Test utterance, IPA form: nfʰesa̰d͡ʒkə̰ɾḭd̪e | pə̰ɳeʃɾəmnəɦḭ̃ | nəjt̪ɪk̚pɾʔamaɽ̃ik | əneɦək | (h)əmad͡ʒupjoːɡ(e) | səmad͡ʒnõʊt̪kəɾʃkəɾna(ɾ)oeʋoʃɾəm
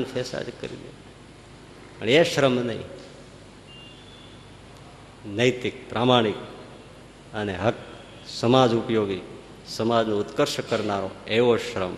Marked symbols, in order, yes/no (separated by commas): no, no, yes